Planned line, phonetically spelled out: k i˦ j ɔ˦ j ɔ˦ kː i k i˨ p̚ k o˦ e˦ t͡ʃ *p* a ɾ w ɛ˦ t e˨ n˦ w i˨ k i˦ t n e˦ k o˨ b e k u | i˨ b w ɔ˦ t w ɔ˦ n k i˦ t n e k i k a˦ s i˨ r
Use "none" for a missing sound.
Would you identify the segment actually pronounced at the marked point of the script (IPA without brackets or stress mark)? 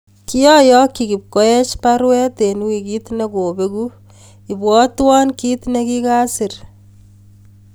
p